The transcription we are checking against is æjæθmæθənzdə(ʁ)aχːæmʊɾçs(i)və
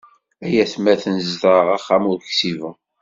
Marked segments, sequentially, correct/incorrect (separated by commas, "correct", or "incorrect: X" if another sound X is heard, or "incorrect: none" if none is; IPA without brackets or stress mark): correct, correct